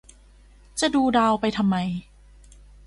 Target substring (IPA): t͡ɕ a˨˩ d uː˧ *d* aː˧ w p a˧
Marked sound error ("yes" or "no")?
no